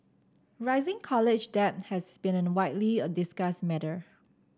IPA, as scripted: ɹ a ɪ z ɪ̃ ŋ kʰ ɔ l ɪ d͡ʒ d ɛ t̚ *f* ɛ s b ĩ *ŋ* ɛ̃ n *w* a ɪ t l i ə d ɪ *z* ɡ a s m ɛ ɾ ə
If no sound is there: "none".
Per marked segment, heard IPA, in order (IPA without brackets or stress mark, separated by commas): h, n, w, s